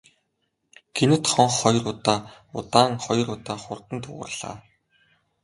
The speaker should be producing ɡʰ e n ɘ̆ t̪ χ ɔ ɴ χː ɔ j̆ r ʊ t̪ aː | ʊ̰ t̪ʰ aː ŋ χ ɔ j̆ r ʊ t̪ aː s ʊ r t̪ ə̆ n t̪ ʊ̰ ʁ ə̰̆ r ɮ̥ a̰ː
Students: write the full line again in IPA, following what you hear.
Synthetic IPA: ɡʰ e n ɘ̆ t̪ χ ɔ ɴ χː ɔ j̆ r ʊ t̪ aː | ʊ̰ t̪ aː ŋ χ ɔ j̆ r ʊ t̪ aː χ ʊ r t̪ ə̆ n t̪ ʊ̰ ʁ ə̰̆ r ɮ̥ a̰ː